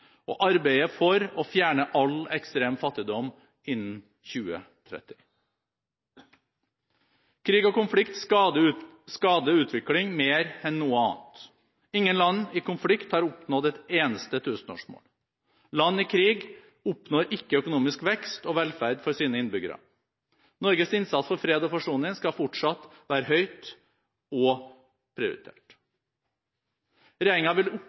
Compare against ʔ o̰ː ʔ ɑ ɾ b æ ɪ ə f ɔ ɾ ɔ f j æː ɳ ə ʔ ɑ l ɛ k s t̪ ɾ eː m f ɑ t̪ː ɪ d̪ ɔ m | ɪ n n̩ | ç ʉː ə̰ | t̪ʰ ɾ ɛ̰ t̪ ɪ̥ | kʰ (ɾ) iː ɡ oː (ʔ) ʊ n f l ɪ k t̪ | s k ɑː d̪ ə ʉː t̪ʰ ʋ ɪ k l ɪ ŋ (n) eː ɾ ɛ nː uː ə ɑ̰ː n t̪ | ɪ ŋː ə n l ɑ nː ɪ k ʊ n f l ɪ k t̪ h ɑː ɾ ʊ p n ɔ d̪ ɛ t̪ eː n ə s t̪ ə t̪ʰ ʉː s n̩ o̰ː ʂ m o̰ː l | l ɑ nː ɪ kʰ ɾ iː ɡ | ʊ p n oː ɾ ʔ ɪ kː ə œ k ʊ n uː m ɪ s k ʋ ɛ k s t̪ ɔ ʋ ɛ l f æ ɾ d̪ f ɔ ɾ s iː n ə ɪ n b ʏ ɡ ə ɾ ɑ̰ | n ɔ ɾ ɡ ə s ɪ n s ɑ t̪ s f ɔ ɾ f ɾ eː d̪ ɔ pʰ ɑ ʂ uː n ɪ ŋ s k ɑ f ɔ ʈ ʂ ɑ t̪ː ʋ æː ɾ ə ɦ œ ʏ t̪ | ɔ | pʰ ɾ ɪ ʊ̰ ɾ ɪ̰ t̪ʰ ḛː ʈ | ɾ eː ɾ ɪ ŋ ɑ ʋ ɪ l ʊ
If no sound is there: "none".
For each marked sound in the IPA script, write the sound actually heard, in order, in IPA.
ɾ, k, m

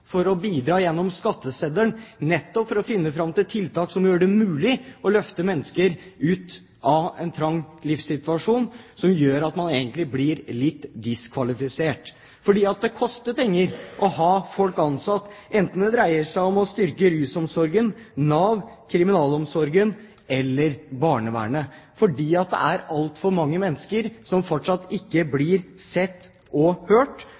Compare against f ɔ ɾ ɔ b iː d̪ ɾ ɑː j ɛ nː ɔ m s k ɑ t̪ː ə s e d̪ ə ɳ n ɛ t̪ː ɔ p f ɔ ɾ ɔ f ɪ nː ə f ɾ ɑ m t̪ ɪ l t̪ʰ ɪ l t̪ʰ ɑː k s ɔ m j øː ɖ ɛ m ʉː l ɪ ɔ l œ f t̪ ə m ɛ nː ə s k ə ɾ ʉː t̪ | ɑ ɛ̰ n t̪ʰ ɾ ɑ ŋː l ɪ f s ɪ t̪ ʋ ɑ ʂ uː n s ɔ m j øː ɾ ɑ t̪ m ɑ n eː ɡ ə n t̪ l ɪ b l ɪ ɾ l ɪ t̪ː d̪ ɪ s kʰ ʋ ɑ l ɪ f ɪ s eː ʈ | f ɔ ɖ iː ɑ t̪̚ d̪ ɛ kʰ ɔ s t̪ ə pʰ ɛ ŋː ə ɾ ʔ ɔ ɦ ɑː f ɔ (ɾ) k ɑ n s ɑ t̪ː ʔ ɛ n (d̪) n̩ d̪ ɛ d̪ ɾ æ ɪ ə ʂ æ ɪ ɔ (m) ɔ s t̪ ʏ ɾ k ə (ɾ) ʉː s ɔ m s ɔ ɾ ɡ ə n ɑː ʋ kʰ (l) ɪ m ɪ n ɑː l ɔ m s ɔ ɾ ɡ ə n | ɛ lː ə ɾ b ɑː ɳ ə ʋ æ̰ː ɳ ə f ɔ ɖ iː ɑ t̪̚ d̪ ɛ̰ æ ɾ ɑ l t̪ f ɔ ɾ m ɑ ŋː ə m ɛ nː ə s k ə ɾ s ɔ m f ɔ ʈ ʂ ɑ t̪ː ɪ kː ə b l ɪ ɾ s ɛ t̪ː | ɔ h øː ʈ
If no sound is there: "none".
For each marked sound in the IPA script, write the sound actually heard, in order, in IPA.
l, t̪, m, ɾ, ɾ

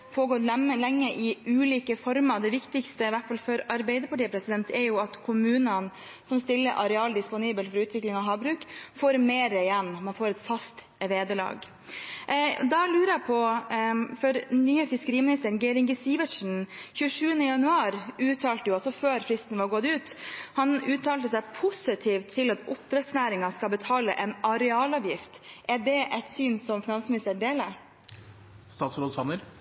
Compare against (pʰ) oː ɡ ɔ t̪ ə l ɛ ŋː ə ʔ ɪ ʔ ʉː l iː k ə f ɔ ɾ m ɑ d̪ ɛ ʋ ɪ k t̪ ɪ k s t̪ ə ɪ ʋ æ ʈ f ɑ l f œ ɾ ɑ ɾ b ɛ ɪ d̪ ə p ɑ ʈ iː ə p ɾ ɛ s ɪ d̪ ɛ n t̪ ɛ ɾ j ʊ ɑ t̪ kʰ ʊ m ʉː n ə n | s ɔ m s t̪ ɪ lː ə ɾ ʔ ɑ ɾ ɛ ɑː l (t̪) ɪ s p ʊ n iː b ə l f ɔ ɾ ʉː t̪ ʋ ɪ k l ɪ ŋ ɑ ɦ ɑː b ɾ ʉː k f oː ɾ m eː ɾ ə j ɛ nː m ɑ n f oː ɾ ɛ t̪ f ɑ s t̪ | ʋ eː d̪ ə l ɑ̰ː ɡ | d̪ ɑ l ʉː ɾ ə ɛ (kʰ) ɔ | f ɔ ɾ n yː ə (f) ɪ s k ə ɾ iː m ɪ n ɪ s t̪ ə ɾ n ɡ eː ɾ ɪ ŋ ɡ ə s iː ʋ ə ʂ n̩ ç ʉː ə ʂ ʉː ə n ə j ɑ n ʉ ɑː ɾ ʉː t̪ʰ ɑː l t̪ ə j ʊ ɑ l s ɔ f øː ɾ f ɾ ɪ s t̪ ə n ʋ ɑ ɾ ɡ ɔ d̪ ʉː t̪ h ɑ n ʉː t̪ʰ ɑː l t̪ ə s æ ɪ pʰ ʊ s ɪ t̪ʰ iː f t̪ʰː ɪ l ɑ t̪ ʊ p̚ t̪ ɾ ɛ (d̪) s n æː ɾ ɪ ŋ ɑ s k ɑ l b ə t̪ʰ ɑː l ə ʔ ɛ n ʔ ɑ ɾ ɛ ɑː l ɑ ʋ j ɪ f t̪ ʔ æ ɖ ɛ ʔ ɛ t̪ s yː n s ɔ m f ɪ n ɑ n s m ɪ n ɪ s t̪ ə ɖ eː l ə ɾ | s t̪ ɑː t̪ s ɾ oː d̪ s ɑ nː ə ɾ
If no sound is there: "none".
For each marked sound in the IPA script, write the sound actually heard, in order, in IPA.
pʰ, d̪, pʰ, f, t̪

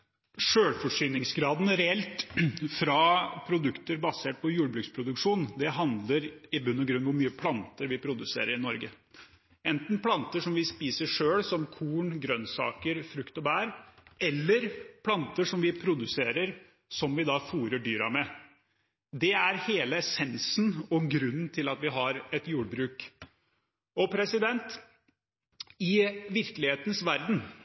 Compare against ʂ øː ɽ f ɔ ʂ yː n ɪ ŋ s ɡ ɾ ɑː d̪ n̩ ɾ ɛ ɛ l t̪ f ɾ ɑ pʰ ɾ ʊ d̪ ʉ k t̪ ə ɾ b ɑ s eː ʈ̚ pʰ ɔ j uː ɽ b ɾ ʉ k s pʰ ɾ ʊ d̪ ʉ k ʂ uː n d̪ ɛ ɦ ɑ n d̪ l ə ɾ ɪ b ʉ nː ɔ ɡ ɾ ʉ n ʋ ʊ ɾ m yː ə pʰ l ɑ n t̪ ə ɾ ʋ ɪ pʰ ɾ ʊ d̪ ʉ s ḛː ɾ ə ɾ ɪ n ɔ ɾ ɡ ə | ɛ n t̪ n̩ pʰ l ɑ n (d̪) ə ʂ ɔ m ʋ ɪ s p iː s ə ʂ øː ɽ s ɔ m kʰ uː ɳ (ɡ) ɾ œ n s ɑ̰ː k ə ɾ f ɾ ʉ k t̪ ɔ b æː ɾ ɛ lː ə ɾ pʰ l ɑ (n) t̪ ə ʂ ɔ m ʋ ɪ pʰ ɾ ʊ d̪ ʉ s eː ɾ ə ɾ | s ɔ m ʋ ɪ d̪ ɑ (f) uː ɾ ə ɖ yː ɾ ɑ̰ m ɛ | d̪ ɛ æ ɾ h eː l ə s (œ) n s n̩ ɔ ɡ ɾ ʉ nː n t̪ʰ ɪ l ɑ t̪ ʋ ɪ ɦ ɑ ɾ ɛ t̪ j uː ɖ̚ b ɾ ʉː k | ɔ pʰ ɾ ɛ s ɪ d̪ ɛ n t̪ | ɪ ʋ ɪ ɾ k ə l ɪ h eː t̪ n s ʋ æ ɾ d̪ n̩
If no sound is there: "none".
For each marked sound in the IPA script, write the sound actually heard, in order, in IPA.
t̪, ɡ, n, f, ɛ

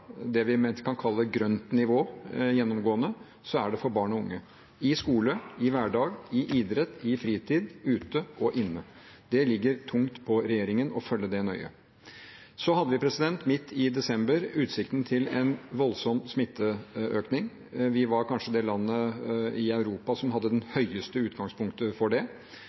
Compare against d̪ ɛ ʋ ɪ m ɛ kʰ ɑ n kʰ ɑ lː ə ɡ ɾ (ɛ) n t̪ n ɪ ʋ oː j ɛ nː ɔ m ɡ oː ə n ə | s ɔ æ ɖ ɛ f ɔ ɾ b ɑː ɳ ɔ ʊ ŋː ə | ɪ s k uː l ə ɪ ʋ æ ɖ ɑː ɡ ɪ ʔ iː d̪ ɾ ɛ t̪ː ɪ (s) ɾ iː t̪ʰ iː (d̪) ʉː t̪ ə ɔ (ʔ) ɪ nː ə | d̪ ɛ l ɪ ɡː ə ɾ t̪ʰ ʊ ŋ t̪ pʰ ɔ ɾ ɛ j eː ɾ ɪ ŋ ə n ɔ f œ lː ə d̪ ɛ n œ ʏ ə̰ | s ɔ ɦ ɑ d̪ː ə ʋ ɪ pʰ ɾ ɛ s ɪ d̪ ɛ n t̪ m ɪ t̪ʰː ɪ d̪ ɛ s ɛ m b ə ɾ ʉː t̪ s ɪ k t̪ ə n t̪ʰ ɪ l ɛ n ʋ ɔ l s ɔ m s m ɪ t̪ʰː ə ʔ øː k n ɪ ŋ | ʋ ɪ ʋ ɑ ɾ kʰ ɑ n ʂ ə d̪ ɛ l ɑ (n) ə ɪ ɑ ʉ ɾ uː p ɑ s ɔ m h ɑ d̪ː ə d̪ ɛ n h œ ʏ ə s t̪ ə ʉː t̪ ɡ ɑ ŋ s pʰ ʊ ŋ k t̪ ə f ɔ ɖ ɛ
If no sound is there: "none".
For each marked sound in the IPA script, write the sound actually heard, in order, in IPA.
œ, f, d̪, ʔ, nː

